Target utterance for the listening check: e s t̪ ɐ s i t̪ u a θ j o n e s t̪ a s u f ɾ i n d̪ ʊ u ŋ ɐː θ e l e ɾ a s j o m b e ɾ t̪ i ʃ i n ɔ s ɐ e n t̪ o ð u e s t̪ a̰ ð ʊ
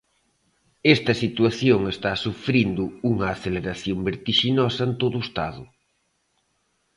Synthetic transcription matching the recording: e s t̪ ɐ s i t̪ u a θ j o ŋ e s t̪ a s u f ɾ i n d̪ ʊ u ŋ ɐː θ e l e ɾ a θ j o m b e ɾ t̪ i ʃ i n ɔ s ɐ e n t̪ o ð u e s t̪ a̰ ð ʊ